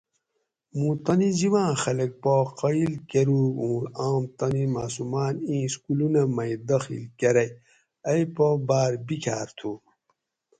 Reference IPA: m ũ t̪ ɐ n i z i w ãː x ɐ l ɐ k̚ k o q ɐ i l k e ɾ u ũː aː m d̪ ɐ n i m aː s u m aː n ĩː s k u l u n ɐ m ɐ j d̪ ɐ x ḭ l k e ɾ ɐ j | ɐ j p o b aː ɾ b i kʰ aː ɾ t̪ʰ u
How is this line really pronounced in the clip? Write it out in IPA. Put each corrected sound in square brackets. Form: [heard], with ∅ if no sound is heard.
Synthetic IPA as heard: m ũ t̪ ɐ n i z i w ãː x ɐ l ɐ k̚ [p] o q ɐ i l k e ɾ u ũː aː m [t̪] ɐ n i m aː s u m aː n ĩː s k u l u n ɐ m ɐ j d̪ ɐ x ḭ l k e ɾ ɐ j | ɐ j p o b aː ɾ b i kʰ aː ɾ t̪ʰ u